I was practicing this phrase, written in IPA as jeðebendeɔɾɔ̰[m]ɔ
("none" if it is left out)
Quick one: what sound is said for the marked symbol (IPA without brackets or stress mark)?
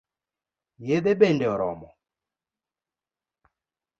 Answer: m